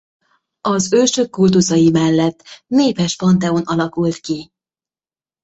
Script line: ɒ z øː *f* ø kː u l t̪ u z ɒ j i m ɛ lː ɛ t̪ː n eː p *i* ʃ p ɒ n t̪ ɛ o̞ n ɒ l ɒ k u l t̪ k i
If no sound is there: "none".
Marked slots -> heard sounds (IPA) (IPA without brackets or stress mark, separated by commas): ʃ, ɛ